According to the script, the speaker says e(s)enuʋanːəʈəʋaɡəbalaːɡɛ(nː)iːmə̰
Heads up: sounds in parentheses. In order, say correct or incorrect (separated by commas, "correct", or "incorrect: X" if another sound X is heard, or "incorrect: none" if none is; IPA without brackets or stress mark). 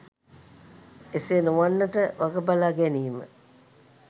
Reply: correct, incorrect: n